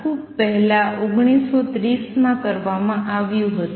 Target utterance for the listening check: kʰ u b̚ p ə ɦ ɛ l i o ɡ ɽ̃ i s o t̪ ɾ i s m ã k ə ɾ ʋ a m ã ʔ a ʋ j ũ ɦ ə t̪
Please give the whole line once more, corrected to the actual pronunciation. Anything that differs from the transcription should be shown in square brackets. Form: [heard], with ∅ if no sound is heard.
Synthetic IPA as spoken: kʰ u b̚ p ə ɦ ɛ l [a] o ɡ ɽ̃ i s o t̪ ɾ i s m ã k ə ɾ ʋ a m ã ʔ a ʋ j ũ ɦ ə t̪